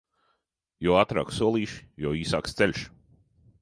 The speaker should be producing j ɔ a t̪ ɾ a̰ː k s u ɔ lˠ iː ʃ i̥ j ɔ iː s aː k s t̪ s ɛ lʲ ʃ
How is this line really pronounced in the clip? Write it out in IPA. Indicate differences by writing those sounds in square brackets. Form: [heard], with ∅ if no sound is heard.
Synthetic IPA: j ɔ a t̪ ɾ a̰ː k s u ɔ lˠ iː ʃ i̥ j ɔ iː s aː k s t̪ s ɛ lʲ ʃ